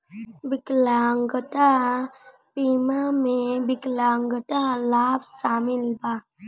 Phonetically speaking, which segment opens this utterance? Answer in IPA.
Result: b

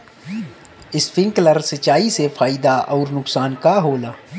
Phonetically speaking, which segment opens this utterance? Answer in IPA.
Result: ɪ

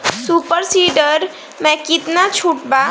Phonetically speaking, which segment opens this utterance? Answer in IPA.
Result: s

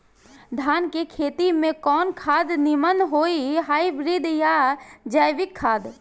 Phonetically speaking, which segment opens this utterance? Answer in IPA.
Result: d̪ʱ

